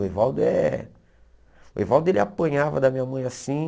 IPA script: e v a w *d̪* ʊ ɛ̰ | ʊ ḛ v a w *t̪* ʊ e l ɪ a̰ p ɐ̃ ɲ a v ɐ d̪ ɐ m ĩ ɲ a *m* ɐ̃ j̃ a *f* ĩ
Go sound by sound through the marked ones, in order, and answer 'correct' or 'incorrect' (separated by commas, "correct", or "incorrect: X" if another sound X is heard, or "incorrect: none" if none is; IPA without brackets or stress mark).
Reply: correct, incorrect: d̪, correct, incorrect: s